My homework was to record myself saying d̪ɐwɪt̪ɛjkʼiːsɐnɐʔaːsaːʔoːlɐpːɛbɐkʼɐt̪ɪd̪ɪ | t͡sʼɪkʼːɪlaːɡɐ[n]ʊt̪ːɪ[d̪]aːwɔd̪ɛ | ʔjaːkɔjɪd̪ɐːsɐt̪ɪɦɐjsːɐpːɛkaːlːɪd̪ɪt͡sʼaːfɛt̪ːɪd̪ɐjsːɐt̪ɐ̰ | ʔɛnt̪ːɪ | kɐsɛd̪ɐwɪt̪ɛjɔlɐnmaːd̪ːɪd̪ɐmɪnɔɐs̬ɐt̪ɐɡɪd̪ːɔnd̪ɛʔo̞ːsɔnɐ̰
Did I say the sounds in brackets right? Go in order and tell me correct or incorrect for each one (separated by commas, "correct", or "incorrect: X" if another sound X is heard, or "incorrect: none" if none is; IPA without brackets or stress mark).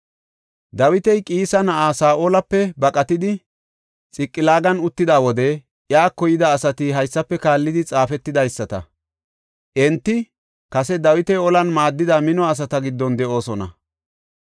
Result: correct, correct